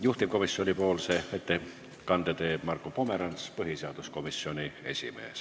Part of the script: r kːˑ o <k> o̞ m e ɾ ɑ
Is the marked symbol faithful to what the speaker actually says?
no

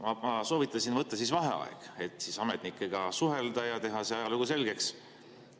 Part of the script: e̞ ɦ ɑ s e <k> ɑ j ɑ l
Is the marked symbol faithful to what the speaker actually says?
no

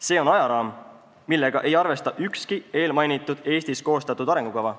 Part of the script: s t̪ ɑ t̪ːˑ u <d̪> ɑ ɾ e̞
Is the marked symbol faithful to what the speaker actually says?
yes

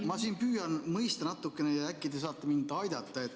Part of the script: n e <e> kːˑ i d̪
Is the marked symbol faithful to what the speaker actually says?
no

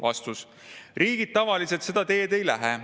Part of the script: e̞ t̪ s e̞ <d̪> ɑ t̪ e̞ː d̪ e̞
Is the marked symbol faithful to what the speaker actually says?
yes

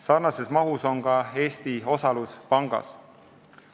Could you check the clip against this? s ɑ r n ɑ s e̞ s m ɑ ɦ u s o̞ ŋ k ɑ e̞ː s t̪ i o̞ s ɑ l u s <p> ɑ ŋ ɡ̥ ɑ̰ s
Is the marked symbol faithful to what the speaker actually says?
yes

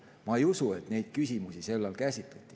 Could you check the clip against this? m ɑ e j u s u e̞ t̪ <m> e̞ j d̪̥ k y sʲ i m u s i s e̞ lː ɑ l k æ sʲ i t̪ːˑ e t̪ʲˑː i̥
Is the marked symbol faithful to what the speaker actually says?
no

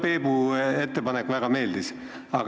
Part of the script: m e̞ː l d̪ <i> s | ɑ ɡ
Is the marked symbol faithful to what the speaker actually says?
yes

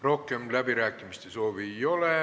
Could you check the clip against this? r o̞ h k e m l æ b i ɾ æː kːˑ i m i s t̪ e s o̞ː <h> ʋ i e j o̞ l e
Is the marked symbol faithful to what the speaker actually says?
no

